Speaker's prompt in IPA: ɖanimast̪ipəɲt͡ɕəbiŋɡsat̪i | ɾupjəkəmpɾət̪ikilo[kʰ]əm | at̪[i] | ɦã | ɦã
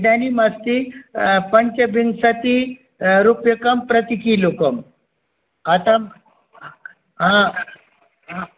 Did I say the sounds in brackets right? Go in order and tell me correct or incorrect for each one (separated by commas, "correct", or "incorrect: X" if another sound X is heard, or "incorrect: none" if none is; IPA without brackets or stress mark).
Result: incorrect: k, incorrect: a